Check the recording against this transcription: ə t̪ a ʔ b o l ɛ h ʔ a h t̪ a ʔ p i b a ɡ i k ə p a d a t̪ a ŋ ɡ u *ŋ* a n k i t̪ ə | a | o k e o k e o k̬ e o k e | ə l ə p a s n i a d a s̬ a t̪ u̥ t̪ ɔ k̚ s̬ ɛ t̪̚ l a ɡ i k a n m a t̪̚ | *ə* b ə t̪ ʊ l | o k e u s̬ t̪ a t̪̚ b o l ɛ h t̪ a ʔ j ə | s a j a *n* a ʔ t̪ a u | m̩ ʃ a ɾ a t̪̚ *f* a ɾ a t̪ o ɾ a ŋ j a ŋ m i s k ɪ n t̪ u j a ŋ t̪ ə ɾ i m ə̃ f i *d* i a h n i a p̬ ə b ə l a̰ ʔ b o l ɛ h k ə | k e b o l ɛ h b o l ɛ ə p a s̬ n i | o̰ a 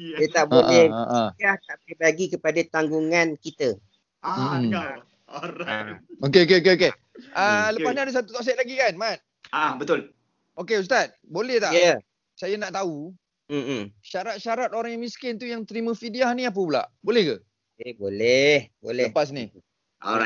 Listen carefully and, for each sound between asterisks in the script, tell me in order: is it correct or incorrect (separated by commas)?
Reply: correct, incorrect, correct, incorrect, correct